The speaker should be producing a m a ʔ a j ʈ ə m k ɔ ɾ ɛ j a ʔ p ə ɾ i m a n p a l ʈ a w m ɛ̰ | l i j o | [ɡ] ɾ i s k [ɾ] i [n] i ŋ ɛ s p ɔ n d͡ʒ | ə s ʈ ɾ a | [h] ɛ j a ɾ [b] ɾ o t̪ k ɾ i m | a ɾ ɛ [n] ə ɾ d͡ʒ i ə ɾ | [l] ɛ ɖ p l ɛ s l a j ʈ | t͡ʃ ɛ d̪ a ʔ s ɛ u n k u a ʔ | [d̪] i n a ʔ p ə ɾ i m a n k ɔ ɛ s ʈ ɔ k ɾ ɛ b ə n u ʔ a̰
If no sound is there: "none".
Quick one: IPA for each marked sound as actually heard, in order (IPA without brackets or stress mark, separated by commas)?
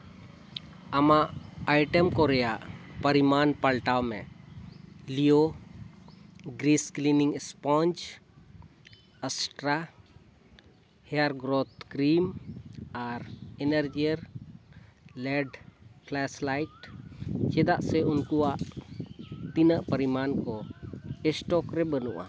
ɡ, l, n, h, ɡ, n, l, t̪